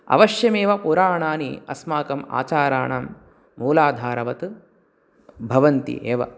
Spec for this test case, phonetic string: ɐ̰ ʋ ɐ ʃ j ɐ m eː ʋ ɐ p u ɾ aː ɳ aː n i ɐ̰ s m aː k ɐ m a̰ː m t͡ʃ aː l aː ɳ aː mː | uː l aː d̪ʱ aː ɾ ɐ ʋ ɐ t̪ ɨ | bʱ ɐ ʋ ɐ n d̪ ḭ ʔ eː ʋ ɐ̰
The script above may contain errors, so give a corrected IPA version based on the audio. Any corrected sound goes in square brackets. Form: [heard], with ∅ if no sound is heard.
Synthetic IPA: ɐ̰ ʋ ɐ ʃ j ɐ m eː ʋ ɐ p u ɾ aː ɳ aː n i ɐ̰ s m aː k ɐ m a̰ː [∅] t͡ʃ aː [ɾ] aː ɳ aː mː | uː l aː d̪ʱ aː ɾ ɐ ʋ ɐ t̪ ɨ | bʱ ɐ ʋ ɐ n [t̪] ḭ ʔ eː ʋ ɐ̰